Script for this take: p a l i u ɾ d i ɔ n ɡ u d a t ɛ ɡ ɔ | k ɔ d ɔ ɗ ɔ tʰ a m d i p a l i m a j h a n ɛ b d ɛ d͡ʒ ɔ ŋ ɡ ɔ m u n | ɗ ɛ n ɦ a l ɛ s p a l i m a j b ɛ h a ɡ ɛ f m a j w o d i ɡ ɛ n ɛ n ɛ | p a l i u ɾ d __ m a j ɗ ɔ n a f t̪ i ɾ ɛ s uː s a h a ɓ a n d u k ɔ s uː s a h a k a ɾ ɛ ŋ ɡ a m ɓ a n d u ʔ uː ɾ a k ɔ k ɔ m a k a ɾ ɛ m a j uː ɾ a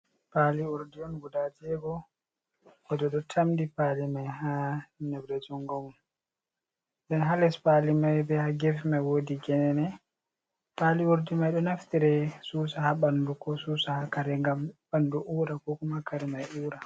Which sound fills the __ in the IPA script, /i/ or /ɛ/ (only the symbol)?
i